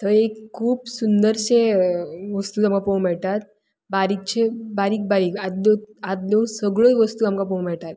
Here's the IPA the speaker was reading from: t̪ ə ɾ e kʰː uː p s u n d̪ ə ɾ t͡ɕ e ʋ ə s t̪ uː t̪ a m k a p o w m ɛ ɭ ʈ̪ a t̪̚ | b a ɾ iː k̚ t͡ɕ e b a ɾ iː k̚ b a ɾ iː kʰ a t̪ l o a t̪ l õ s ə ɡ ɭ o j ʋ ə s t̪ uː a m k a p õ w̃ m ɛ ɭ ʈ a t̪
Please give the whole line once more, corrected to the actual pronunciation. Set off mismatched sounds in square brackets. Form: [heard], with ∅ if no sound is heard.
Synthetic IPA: t̪ ə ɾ e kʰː uː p s u n d̪ ə ɾ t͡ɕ e ʋ ə s t̪ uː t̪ a m k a p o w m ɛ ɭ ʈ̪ a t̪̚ | b a ɾ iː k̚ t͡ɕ e b a ɾ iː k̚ b a ɾ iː [k] a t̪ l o a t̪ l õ s ə ɡ ɭ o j ʋ ə s t̪ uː a m k a p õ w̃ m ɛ ɭ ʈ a t̪